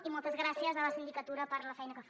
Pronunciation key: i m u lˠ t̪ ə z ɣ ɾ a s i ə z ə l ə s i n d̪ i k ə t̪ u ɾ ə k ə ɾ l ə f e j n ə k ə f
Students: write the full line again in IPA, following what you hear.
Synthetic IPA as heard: i m ɔ lˠ t̪ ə z ɣ ɾ a s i ə z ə l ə s i n d̪ i k ə t̪ u ɾ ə p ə ɾ l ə f ɛ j n ə k ə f

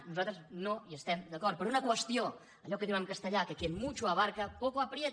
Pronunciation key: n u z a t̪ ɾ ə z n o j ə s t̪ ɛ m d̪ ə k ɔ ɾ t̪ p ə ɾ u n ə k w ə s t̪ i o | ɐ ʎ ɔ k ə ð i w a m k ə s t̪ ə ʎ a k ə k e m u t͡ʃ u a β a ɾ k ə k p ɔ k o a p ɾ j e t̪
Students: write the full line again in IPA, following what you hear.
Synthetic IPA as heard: n u z a t̪ ɾ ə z n o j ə s t̪ ɛ m d̪ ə k ɔ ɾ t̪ p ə ɾ u n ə k w ə s t̪ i o | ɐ ʎ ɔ k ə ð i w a m k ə s t̪ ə ʎ a k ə k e m u t͡ʃ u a β a ɾ k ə p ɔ k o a p ɾ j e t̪

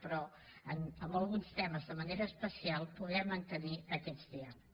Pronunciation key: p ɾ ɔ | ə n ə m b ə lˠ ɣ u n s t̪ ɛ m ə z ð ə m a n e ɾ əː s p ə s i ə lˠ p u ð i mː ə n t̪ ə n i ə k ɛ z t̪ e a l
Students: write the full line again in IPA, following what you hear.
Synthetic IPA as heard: p ɾ ɔ | ə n ə m b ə lˠ ɣ u n s t̪ ɛ m ə z ð ə m ə n e ɾ əː s p ə s i a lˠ p u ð ɛ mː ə n t̪ ə n i ə k ɛ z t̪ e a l

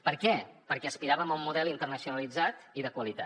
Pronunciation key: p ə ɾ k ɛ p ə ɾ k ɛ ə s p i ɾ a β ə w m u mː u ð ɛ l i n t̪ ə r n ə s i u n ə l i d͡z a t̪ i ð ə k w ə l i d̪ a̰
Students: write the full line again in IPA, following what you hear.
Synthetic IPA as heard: p ə ɾ k ɛ p ə ɾ k ɛ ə s p i ɾ a β ə m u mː u ð ɛ l i n t̪ ə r n ə s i u n ə l i d͡z a t̪ i ð ə k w ə l i t̪ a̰

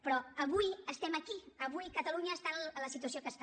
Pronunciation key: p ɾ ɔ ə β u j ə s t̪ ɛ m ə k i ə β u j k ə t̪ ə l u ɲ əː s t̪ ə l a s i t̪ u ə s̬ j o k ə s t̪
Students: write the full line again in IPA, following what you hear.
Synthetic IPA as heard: p ɾ ɔ ə β u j ə s t̪ ɛ m ə k i ə β u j k ə t̪ ə l u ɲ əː s t̪ a l ə s i t̪ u ə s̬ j o k ə s t̪

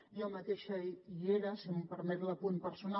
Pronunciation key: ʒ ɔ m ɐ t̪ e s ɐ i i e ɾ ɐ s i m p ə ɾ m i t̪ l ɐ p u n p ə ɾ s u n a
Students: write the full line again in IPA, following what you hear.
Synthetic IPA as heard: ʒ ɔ m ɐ t̪ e ʃ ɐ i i e ɾ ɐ s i m p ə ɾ m ɛ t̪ l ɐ p u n p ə ɾ s u n a

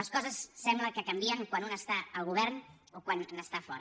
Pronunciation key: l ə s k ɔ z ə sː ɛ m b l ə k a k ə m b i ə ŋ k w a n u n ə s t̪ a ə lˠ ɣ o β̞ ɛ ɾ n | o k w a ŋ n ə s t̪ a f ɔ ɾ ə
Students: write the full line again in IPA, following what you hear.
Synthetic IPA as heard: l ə s k ɔ z ə sː ɛ m b l ə k ə k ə m b i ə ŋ k w a n u n ə s t̪ a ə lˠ ɣ u β̞ ɛ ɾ n | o k w a n n ə s t̪ a f ɔ ɾ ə

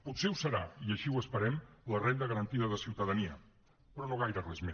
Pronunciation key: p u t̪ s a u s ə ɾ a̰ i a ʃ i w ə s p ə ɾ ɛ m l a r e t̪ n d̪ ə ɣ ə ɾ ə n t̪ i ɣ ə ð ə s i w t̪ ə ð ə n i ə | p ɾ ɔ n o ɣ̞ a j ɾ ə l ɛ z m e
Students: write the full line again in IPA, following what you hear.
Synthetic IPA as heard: p u t̪ s e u s ə ɾ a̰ i ə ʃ i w ə s p ə ɾ ɛ m l ə r e n d̪ ə ɣ ə ɾ ə n t̪ i ð ə ð ə s i w t̪ ə ð ə n i ə | p ɾ ɔ n o ɣ̞ a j ɾ ə r ɛ z m e

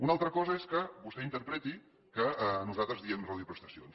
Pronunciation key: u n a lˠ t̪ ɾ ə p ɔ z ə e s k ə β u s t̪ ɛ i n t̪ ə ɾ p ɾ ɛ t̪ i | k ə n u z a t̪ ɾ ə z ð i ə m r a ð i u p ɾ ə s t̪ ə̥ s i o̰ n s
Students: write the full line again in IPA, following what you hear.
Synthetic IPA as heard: u n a lˠ t̪ ɾ ə k ɔ z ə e s k ə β u s t̪ ɛ i n t̪ ə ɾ p ɾ ɛ t̪ i | k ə n u z a t̪ ɾ ə z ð i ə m r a ð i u p ɾ ə s t̪ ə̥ s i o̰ n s

